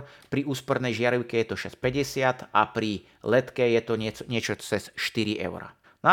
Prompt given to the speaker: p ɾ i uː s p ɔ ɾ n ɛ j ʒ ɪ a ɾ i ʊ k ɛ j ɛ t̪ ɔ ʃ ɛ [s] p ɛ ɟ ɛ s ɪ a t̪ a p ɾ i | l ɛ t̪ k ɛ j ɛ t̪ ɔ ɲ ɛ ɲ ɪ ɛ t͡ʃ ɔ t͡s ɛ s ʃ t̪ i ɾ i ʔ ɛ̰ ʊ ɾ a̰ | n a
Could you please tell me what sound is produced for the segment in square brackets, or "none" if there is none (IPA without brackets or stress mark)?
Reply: s